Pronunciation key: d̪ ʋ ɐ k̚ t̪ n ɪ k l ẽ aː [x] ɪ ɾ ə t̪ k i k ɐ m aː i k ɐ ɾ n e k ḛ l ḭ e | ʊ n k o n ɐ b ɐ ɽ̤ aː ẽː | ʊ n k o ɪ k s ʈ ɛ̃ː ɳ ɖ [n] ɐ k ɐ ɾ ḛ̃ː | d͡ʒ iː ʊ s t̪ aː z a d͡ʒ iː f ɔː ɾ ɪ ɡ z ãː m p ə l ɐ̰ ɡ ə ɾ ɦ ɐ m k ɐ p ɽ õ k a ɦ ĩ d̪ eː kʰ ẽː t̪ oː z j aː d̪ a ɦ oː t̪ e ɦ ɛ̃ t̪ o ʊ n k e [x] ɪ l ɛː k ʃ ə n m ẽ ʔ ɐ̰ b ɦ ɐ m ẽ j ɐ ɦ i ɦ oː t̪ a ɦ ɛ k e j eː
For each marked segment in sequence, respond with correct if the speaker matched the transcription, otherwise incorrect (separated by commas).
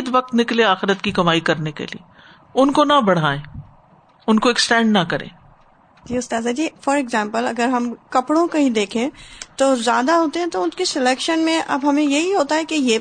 correct, correct, incorrect